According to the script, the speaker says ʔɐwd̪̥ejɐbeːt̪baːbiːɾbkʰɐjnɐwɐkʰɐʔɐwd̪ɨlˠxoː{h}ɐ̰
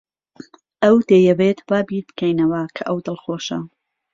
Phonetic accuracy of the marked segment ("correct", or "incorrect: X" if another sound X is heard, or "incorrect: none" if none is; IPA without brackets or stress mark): incorrect: ʃ